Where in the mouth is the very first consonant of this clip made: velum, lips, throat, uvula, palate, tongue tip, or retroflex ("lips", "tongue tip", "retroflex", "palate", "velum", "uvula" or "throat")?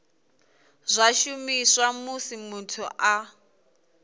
tongue tip